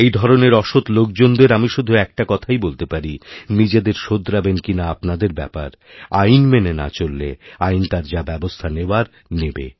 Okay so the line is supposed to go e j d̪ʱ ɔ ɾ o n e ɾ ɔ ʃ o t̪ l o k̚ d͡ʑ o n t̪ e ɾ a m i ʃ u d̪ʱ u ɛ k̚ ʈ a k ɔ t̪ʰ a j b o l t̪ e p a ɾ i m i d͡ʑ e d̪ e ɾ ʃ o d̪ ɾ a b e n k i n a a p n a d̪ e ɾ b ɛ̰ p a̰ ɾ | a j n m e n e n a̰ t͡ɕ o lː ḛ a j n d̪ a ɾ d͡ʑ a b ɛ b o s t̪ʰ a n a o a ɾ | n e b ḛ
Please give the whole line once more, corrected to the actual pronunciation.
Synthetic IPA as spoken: e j d̪ʱ ɔ ɾ o n e ɾ ɔ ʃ o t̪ l o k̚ d͡ʑ o n d̪ e ɾ a m i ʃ u d̪ʱ u ɛ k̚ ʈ a k ɔ t̪ʰ a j b o l t̪ e p a ɾ i n i d͡ʑ e d̪ e ɾ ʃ o d̪ ɾ a b e n k i n a a p n a d̪ e ɾ b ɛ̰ p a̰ ɾ | a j n m e n e n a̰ t͡ɕ o lː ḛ a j n t̪ a ɾ d͡ʑ a b ɛ b o s t̪ʰ a n e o a ɾ | n e b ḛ